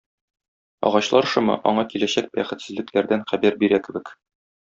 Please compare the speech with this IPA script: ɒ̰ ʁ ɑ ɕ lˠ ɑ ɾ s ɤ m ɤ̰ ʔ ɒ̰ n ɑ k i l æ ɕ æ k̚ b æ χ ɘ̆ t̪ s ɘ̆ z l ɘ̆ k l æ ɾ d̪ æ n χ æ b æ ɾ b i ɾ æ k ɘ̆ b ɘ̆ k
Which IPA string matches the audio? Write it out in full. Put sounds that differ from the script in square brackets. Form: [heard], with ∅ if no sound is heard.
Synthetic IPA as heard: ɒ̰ ʁ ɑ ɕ lˠ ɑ ɾ [ʃ] ɤ m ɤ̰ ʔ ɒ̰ [ɴ] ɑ k i l æ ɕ æ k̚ b æ χ ɘ̆ t̪ s ɘ̆ z l ɘ̆ k l æ ɾ d̪ æ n χ æ b æ ɾ b i ɾ æ k ɘ̆ b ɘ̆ k